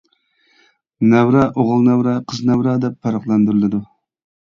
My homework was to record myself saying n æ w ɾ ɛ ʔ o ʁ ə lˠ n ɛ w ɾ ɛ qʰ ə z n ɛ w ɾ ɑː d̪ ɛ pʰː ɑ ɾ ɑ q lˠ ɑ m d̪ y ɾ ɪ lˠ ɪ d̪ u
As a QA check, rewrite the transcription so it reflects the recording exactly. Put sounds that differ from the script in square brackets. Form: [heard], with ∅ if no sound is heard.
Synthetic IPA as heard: n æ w ɾ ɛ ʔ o ʁ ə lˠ n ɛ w ɾ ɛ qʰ ə z n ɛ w ɾ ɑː d̪ ɛ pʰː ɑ ɾ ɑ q lˠ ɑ [n] d̪ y ɾ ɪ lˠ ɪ d̪ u

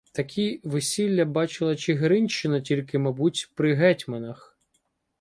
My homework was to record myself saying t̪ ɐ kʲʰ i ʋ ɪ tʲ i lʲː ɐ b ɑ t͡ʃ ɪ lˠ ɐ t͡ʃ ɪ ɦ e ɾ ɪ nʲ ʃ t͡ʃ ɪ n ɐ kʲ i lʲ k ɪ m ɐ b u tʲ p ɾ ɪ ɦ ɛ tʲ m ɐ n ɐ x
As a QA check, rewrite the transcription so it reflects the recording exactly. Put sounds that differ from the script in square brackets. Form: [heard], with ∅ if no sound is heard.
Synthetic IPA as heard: t̪ ɐ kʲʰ i ʋ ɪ [sʲ] i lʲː ɐ b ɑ t͡ʃ ɪ lˠ ɐ t͡ʃ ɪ ɦ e ɾ ɪ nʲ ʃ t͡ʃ ɪ n ɐ [tʲ] i lʲ k ɪ m ɐ b u tʲ p ɾ ɪ ɦ ɛ tʲ m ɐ n ɐ x

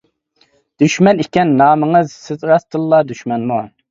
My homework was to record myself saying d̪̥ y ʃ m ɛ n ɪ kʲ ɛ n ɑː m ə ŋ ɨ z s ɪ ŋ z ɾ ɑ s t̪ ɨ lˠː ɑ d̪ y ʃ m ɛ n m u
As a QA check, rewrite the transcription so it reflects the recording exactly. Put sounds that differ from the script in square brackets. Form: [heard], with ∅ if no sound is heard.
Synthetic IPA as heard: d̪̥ y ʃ m ɛ n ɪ kʲ ɛ [nː] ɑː m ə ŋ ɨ z s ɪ [∅] z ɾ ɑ s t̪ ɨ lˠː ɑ d̪ y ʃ m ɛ n m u

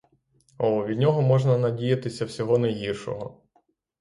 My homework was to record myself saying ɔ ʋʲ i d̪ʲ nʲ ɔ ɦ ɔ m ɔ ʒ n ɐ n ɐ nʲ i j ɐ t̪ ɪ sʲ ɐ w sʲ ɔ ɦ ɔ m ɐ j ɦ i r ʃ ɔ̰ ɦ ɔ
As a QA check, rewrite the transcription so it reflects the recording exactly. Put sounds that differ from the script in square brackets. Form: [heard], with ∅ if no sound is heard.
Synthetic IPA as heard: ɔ ʋʲ i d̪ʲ nʲ ɔ ɦ ɔ m ɔ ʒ n ɐ n ɐ [dʲ] i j ɐ t̪ ɪ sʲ ɐ w sʲ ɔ ɦ ɔ [n] ɐ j ɦ i r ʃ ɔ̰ ɦ ɔ

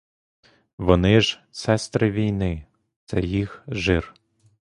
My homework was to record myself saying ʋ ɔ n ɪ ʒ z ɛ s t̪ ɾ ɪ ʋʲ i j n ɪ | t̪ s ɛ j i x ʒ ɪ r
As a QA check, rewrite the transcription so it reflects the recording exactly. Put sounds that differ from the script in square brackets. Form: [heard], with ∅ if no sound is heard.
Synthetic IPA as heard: ʋ ɔ n ɪ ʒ [s] ɛ s t̪ ɾ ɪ ʋʲ i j n ɪ | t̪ s ɛ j i x ʒ ɪ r

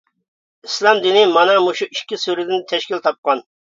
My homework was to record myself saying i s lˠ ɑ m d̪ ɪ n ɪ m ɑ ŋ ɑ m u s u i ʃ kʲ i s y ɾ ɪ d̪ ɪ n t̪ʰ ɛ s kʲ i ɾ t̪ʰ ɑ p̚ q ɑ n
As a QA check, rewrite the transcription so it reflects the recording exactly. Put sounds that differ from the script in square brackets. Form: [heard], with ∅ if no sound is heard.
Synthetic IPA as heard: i s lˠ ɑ m d̪ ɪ n ɪ m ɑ [n] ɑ m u [ʃ] u i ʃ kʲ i s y ɾ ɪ d̪ ɪ n t̪ʰ ɛ [ʃ] kʲ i [l] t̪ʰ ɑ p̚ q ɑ n

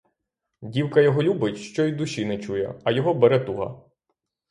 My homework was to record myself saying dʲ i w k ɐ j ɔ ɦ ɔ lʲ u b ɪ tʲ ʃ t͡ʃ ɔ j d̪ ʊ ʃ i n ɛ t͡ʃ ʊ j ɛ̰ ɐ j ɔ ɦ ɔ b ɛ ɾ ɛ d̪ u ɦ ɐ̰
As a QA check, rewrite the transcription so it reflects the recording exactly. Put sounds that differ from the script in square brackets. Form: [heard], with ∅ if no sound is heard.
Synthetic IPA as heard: dʲ i w k ɐ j ɔ ɦ ɔ lʲ u b ɪ tʲ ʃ t͡ʃ ɔ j d̪ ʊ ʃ i n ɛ t͡ʃ [u] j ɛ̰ ɐ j ɔ ɦ ɔ b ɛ ɾ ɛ [t̪] u ɦ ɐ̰

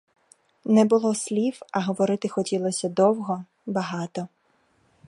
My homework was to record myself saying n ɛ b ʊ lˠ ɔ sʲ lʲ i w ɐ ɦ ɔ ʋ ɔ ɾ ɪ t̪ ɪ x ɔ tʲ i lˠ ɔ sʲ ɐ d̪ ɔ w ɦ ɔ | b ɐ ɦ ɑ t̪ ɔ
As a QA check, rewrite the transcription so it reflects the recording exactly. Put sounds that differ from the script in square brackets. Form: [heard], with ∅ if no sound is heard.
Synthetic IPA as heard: n ɛ b ʊ lˠ ɔ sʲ lʲ i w ɐ ɦ ɔ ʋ ɔ ɾ ɪ t̪ ɪ x ɔ tʲ i lˠ ɔ sʲ ɐ d̪ ɔ w ɦ ɔ | b ɐ ɦ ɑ t̪ ɔ

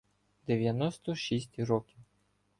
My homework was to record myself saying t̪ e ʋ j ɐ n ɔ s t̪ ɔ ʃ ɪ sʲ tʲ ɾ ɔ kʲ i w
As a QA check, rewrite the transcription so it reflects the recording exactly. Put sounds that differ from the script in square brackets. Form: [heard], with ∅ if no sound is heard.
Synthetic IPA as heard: [d̪] e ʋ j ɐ n ɔ s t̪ ɔ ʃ [i] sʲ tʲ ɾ ɔ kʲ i w

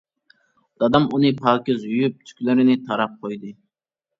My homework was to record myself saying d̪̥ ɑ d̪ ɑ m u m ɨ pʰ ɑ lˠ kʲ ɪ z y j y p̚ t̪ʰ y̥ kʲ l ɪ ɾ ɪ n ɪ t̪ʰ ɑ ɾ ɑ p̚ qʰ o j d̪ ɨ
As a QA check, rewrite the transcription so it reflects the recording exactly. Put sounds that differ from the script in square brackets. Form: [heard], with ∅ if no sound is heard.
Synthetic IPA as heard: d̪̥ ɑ d̪ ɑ m u [n] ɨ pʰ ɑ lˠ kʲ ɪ z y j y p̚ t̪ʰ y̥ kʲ l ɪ ɾ ɪ n ɪ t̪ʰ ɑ ɾ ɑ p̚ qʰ o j d̪ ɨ

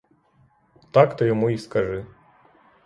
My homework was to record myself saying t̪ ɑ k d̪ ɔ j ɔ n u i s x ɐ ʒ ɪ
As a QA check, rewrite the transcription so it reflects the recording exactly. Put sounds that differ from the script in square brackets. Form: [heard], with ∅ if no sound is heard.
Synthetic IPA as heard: t̪ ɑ k [t̪] ɔ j ɔ [m] u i s [k] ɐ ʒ ɪ

